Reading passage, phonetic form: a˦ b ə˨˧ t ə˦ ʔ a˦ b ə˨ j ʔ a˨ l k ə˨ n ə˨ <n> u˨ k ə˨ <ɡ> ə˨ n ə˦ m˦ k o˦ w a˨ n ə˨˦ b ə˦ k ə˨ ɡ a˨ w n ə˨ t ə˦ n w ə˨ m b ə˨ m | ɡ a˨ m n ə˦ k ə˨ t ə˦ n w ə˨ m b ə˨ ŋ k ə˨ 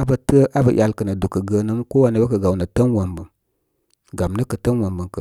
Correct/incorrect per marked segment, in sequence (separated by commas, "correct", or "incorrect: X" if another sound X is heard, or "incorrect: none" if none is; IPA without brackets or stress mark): incorrect: d, correct